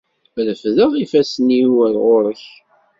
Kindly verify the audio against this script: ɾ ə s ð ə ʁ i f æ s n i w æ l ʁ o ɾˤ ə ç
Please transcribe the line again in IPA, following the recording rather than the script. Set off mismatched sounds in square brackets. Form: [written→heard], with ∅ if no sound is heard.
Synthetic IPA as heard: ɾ ə [s→f] ð ə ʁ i f æ s n i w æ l ʁ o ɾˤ ə ç